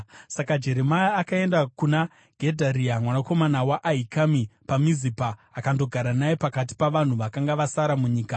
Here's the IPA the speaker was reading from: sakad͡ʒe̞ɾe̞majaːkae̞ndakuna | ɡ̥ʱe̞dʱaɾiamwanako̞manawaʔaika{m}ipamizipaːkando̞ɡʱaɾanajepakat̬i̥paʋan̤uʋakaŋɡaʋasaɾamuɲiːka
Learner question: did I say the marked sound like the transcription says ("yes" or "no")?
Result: yes